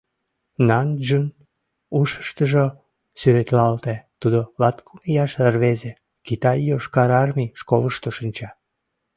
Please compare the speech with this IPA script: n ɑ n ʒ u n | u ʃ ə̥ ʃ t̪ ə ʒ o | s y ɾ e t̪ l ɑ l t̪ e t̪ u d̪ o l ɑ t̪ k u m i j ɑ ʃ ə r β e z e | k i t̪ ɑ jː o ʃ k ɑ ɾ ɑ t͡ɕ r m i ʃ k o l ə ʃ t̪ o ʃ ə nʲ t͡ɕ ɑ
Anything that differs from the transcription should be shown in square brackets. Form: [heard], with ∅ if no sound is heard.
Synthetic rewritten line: n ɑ n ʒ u n | u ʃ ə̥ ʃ t̪ ə ʒ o | s y ɾ e t̪ l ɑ l t̪ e t̪ u d̪ o l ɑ t̪ k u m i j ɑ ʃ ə r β e z e | k i t̪ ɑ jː o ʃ k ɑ ɾ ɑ [∅] r m i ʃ k o l ə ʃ t̪ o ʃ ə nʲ t͡ɕ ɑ